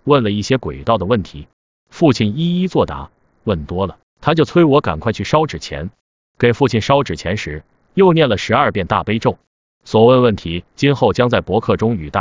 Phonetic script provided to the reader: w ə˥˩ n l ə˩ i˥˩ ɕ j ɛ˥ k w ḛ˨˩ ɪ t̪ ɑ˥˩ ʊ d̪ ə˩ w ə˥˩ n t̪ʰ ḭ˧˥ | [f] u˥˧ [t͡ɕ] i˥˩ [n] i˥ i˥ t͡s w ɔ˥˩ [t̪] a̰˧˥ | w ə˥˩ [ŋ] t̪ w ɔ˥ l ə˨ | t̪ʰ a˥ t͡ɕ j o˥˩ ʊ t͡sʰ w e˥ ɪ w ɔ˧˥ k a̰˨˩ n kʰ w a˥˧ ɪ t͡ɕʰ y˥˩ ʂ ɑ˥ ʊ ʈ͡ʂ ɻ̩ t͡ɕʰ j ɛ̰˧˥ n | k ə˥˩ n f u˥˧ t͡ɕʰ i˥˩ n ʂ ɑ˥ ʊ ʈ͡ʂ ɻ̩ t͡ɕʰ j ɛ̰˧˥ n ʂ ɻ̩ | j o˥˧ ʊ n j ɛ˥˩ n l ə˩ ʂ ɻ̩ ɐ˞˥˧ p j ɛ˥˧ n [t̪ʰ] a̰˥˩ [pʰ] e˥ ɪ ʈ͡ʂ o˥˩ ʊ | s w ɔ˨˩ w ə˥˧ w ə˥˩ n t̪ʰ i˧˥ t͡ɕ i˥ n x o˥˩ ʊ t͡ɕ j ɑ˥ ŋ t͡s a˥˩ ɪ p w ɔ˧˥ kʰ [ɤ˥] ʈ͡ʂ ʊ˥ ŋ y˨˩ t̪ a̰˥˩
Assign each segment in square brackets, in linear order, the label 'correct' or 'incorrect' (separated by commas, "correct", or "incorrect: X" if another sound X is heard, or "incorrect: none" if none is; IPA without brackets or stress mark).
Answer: correct, incorrect: t͡ɕʰ, correct, correct, incorrect: n, incorrect: t̪, incorrect: p, incorrect: ɤ˥˩